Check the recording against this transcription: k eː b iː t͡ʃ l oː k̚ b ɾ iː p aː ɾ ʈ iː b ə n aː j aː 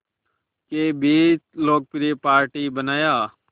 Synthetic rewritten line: k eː b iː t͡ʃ l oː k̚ p ɾ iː p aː ɾ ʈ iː b ə n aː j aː